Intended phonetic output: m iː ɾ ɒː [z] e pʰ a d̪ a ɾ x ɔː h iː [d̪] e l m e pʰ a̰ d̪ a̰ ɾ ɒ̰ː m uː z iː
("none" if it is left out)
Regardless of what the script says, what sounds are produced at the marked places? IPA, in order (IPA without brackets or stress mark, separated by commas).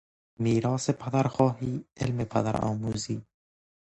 s, none